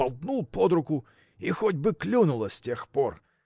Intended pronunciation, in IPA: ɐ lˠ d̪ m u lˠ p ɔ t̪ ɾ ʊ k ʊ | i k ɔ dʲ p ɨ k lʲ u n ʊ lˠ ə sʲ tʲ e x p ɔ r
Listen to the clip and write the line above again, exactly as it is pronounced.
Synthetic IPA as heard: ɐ lˠ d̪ n u lˠ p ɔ d̪ ɾ ʊ k ʊ | i x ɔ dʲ b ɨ k lʲ u n ʊ lˠ ə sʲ tʲ e x p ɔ r

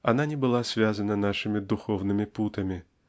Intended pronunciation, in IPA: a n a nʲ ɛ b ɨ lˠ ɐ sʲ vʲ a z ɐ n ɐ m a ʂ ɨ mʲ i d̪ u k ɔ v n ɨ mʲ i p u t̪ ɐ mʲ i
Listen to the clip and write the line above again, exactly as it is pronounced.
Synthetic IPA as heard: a n a nʲ ɛ b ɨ lˠ a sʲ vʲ a z ɐ n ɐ n a ʂ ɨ mʲ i d̪ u x ɔ w n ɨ mʲ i p u t̪ ɐ mʲ i

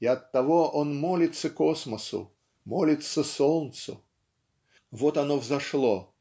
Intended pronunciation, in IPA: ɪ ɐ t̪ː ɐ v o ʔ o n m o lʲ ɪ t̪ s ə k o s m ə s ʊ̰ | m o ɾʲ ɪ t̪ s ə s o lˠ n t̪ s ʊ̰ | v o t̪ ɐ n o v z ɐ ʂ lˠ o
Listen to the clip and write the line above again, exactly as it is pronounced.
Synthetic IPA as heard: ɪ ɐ t̪ː ɐ v o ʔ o n m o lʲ ɪ t̪ s ə k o s m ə s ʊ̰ | m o lʲ ɪ t̪ s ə s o lˠ n t̪ s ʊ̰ | v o t̪ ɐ n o v z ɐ ʂ lˠ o

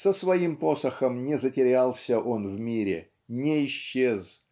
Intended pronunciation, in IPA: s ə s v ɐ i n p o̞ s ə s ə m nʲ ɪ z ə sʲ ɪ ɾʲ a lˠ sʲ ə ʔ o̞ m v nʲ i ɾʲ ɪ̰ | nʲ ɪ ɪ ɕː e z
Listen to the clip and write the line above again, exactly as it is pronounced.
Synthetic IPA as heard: s ə s v ɐ i m p o̞ s ə x ə m nʲ ɪ z ə tʲ ɪ ɾʲ a lˠ sʲ ə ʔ o̞ n v mʲ i ɾʲ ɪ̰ | nʲ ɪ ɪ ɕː e z

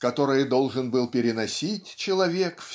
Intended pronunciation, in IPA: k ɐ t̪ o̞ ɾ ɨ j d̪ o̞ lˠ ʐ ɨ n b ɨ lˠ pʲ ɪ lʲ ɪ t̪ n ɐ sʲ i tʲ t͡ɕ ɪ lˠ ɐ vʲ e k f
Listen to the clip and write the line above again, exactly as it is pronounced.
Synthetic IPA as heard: k ɐ t̪ o̞ ɾ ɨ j d̪ o̞ lˠ ʐ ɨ n b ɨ lˠ pʲ ɪ ɾʲ ɪ n ɐ sʲ i tʲ t͡ɕ ɪ lˠ ɐ vʲ e k f

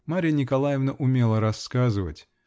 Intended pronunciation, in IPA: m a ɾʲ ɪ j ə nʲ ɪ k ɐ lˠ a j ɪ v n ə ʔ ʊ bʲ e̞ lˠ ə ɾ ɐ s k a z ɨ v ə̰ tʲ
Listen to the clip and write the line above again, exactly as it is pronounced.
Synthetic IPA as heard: m a ɾʲ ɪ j ə nʲ ɪ k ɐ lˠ a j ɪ v n ə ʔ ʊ mʲ e̞ lˠ ə ɾ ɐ s k a z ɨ v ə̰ tʲ

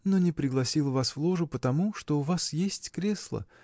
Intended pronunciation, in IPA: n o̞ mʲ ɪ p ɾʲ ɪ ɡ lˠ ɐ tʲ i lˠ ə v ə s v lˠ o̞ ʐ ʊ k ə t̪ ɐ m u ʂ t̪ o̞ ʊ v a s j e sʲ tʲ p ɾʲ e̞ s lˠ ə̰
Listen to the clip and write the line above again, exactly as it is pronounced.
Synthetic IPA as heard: n o̞ nʲ ɪ p ɾʲ ɪ ɡ lˠ ɐ sʲ i lˠ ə v a s v lˠ o̞ ʐ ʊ p ə t̪ ɐ m u ʂ t̪ o̞ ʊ v a s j e sʲ tʲ k ɾʲ e̞ s lˠ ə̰

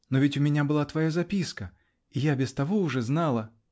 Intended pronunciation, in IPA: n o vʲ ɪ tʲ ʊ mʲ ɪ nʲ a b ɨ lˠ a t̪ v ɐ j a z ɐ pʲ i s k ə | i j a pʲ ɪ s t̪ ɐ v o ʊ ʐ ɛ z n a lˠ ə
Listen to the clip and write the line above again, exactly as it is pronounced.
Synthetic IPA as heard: n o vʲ ɪ tʲ ʊ mʲ ɪ nʲ a b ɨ lˠ a t̪ v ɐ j a z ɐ pʲ i s k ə | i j a bʲ ɪ s t̪ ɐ v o ʊ ʐ ɛ z n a lˠ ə

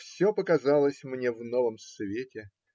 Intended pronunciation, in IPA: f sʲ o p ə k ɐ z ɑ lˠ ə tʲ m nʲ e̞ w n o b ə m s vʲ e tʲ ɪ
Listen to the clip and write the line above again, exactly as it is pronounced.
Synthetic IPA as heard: f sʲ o p ə k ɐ z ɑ lˠ ə sʲ m nʲ e̞ v n o v ə m s vʲ e tʲ ɪ

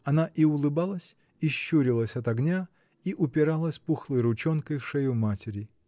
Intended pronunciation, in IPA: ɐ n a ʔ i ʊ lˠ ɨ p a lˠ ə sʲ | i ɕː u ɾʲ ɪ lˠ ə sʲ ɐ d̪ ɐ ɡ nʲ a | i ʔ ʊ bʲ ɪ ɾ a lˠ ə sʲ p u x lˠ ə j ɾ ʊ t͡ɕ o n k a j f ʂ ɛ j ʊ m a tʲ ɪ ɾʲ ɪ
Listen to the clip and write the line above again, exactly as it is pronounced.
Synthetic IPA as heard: ɐ n a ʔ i ʊ lˠ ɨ b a lˠ ə sʲ | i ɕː u ɾʲ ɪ lˠ ə sʲ ɐ t̪ ɐ ɡ nʲ a | i ʔ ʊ pʲ ɪ ɾ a lˠ ə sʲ p u x lˠ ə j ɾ ʊ t͡ɕ o n k ə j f ʂ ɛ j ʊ m a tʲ ɪ ɾʲ ɪ

